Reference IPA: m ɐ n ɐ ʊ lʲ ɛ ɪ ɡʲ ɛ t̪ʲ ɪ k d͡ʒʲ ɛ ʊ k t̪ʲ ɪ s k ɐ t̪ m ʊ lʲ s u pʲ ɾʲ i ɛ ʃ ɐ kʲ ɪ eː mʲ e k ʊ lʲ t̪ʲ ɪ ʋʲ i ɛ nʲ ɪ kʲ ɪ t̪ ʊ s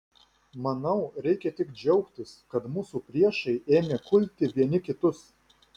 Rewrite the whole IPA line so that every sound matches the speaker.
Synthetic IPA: m ɐ n ɐ ʊ ɾʲ ɛ ɪ kʲ ɛ t̪ʲ ɪ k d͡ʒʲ ɛ ʊ k t̪ʲ ɪ s k ɐ t̪ m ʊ s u pʲ ɾʲ i ɛ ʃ ɐ ɪ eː mʲ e k ʊ lʲ t̪ʲ ɪ ʋʲ i ɛ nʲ ɪ kʲ ɪ t̪ ʊ s